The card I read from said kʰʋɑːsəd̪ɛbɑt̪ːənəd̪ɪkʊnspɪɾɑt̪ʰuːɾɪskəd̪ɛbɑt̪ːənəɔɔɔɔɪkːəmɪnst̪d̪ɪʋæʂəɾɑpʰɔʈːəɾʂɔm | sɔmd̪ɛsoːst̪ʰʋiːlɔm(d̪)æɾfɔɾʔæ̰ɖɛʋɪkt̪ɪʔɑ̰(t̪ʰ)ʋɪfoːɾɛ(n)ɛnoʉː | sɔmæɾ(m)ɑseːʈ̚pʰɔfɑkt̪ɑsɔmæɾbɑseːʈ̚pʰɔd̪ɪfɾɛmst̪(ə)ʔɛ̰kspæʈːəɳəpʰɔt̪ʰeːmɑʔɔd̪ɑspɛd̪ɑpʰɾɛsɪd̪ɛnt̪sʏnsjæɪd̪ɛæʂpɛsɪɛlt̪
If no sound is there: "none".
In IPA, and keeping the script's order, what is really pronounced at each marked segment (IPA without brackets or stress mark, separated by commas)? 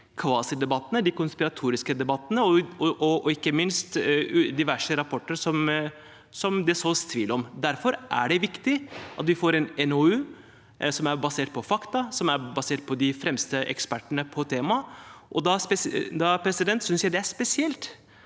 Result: d̪, t̪, n, b, ə